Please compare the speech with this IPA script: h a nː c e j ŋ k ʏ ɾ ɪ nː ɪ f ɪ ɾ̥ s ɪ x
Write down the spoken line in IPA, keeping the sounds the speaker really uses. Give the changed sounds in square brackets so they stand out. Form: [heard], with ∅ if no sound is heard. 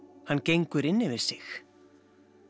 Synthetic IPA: h a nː c e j ŋ k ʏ ɾ ɪ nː ɪ [v] ɪ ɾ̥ s ɪ x